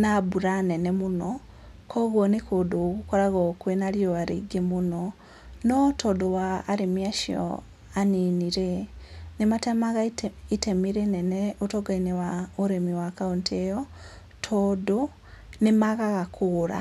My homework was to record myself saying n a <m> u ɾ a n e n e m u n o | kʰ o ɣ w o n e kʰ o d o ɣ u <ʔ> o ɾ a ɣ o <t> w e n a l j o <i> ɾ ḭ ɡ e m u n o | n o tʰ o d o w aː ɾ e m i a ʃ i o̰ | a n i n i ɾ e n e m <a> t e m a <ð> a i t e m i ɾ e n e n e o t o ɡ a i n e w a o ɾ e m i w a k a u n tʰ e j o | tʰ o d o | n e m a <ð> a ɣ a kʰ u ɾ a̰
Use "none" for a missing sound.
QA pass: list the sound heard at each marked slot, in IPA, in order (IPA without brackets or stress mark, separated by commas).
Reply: b, k, k, a, a, ɣ, ɣ